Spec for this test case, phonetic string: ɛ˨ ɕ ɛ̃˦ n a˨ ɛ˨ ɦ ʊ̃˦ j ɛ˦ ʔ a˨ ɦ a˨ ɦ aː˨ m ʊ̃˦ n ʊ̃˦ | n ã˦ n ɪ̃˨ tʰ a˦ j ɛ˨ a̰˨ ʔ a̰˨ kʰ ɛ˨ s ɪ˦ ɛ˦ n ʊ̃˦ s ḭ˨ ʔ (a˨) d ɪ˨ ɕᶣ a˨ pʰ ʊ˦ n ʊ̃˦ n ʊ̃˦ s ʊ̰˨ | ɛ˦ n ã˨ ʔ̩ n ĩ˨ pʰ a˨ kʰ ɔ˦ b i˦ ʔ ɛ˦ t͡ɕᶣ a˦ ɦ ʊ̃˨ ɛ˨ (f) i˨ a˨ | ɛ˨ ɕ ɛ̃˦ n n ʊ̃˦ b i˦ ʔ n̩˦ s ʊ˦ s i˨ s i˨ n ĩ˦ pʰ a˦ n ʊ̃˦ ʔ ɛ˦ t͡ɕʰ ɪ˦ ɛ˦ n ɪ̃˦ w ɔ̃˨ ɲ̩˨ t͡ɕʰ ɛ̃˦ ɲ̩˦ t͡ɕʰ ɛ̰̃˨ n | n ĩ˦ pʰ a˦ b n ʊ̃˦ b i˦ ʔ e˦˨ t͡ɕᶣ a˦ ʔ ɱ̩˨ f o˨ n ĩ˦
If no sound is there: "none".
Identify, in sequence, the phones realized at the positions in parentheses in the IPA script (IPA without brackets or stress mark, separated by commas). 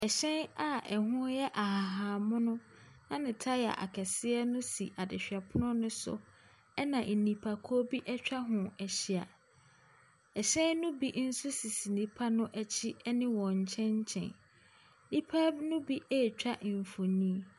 a˨, ɕ